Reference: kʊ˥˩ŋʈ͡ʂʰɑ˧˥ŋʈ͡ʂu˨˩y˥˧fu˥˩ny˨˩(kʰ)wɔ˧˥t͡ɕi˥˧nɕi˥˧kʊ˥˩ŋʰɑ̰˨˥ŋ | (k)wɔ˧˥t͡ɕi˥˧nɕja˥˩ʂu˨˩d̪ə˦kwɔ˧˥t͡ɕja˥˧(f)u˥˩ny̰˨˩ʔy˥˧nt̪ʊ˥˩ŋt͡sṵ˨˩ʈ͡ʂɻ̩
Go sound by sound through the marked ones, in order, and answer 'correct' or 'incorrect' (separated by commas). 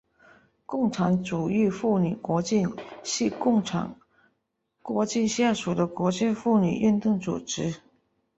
incorrect, correct, correct